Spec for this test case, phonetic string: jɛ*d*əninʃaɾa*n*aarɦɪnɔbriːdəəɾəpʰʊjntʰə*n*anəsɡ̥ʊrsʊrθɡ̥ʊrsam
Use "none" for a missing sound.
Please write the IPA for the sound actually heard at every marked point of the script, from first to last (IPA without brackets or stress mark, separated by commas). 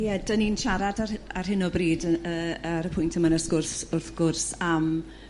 d, d, m